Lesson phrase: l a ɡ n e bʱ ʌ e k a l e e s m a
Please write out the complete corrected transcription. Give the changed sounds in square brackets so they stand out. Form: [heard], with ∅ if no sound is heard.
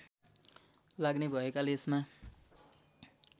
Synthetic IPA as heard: l a ɡ n e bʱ ʌ e k a l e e s m a